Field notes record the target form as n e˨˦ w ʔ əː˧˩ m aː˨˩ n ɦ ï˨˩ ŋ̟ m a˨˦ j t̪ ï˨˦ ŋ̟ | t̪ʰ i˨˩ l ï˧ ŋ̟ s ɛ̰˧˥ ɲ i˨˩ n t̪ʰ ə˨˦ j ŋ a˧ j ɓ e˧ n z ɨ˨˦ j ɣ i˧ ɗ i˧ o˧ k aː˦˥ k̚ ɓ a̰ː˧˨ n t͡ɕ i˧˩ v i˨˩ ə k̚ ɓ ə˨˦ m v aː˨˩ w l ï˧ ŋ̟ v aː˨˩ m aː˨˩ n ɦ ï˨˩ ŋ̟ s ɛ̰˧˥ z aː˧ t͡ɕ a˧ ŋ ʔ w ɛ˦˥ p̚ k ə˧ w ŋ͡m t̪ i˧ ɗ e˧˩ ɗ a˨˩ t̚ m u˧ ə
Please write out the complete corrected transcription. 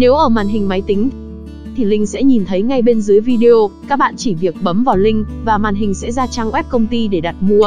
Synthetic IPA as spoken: n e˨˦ w ʔ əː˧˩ m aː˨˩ n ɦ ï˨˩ ŋ̟ m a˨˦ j t̪ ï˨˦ ŋ̟ | t̪ʰ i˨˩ l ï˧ ŋ̟ s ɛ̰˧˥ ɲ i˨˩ n t̪ʰ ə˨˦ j ŋ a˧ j ɓ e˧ n z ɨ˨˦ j v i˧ ɗ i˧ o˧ k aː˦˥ k̚ ɓ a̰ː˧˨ n t͡ɕ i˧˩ v i˨˩ ə k̚ ɓ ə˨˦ m v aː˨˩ w l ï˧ ŋ̟ v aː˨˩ m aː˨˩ n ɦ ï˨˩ ŋ̟ s ɛ̰˧˥ z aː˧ t͡ɕ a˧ ŋ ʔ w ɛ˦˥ p̚ k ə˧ w ŋ͡m t̪ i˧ ɗ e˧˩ ɗ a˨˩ t̚ m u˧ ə